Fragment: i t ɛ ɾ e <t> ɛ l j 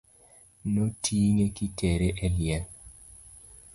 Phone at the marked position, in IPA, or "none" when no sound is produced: ʔ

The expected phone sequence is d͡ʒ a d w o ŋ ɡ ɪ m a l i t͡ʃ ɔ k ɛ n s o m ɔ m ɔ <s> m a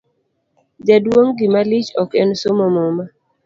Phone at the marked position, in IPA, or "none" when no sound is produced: none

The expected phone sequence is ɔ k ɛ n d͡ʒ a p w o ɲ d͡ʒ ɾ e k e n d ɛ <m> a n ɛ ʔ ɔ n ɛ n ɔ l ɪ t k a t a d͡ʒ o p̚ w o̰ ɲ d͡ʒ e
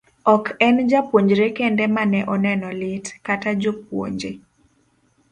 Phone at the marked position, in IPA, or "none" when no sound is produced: m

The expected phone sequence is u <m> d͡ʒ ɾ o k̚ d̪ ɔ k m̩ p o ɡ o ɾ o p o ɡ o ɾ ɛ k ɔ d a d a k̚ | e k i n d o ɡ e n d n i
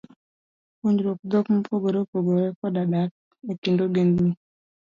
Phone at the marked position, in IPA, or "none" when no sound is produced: ɲ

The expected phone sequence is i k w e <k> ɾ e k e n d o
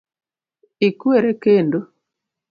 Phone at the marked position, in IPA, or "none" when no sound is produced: none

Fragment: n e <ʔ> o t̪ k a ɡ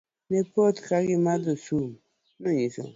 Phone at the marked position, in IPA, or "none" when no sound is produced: p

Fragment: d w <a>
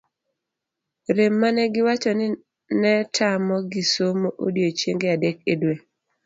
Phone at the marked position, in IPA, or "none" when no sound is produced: e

